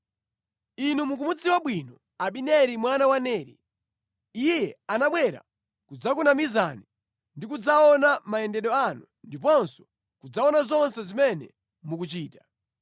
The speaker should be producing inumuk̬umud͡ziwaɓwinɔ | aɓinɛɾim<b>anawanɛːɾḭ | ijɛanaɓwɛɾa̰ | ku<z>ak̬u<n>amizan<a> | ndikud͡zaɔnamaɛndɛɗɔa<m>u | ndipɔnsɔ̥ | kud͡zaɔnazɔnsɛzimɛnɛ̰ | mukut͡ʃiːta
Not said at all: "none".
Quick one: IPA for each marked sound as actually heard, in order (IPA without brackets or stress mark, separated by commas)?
w, d͡z, n, i, n